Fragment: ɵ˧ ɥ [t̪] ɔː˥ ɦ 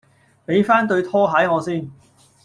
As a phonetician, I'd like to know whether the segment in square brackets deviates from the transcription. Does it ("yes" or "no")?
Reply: yes